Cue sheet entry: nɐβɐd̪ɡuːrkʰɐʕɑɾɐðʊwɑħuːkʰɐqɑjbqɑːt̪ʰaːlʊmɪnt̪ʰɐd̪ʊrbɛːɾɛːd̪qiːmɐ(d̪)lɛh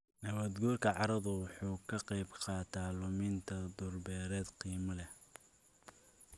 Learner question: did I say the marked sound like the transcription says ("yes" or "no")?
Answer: no